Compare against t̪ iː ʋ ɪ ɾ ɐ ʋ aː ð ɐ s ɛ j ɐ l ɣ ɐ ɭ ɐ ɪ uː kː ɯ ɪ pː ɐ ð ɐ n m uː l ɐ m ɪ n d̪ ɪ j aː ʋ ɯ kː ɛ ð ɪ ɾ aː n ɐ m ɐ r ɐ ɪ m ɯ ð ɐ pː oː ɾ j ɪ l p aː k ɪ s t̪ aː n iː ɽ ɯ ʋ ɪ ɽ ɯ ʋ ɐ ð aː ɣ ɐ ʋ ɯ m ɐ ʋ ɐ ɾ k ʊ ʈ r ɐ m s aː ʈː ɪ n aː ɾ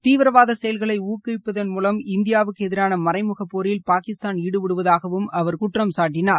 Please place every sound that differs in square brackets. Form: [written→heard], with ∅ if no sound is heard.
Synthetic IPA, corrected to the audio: t̪ iː ʋ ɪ ɾ ɐ ʋ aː ð ɐ s ɛ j ɐ l ɣ ɐ ɭ ɐ ɪ uː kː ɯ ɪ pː ɐ ð ɐ n m uː l ɐ m ɪ n d̪ ɪ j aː ʋ ɯ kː ɛ ð ɪ ɾ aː n ɐ m ɐ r ɐ ɪ m ɯ [ð→ɣ] ɐ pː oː ɾ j ɪ l p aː k ɪ s t̪ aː n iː ɽ ɯ ʋ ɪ ɽ ɯ ʋ ɐ ð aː ɣ ɐ ʋ ɯ m ɐ ʋ ɐ ɾ k ʊ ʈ r ɐ m s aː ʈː ɪ n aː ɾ